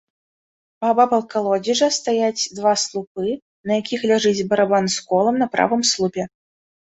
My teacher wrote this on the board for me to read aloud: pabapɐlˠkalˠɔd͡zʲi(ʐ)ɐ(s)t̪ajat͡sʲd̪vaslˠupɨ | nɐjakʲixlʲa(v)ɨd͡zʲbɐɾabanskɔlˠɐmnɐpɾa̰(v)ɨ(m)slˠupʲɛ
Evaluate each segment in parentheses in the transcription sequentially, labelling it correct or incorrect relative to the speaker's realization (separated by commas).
correct, correct, incorrect, correct, correct